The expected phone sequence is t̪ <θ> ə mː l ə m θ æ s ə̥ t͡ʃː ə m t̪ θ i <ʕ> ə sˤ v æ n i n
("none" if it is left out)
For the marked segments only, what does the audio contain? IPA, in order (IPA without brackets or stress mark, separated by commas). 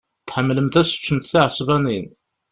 ħ, ʕ